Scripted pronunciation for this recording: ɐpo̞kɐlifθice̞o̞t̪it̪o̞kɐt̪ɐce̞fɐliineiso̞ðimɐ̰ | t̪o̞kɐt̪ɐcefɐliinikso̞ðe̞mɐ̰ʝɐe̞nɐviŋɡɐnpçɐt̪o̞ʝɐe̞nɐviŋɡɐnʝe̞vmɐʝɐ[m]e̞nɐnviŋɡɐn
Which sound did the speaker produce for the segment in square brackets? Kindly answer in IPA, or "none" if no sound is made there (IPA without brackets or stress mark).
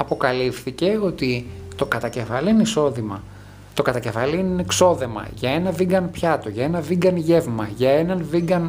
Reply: none